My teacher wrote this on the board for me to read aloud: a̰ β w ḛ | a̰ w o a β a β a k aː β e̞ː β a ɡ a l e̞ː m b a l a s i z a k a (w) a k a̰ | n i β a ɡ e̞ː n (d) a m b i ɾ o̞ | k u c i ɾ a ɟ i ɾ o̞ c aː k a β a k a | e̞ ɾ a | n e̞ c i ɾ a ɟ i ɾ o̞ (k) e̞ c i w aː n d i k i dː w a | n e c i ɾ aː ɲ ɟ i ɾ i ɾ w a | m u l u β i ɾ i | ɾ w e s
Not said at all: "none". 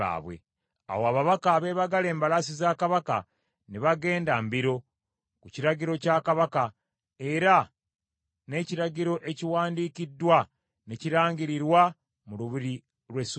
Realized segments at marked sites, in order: β, d, ʔ

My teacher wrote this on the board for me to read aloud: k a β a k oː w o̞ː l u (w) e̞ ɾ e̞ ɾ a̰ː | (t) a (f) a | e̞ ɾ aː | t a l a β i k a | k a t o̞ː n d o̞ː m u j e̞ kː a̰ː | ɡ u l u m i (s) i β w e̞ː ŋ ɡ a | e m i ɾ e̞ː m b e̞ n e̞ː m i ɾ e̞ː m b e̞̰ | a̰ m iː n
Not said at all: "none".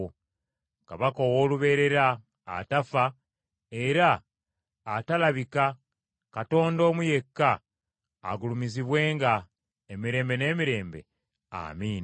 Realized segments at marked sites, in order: β, t, f, z

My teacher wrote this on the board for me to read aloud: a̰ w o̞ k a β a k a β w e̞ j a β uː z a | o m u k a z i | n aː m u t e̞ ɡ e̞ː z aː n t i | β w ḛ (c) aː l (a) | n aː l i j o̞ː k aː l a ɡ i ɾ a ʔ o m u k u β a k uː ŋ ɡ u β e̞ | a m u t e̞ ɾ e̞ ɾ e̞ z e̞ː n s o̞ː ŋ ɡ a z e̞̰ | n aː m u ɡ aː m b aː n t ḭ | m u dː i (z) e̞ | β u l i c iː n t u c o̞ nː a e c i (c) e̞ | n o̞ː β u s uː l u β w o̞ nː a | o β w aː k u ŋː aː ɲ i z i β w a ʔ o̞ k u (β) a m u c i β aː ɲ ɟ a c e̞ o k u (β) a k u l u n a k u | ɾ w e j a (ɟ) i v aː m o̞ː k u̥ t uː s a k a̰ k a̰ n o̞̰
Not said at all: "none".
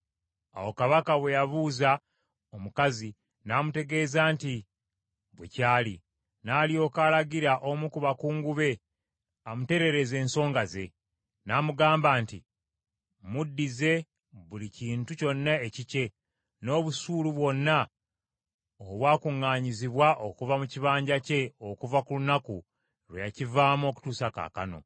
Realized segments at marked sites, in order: c, i, z, c, v, v, c

